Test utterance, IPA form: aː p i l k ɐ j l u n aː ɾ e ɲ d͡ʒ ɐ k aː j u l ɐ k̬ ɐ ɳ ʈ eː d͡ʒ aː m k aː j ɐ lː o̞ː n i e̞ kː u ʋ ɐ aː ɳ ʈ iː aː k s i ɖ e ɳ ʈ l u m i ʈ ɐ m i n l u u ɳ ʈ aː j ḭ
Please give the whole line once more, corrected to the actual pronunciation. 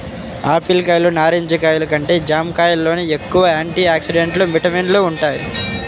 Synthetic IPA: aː p i l k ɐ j l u n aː ɾ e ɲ d͡ʒ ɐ k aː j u l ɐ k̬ ɐ ɳ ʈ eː d͡ʒ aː m k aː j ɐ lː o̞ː n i e̞ kː u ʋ ɐ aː ɳ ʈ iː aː k s i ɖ e ɳ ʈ l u m i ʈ ɐ m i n l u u ɳ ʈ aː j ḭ